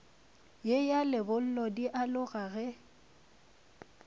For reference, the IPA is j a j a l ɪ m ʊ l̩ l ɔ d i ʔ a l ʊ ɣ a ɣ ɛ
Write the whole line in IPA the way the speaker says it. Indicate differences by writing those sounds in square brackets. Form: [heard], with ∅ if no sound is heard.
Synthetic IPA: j [e] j a l ɪ [b] ʊ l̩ l ɔ d i ʔ a l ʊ ɣ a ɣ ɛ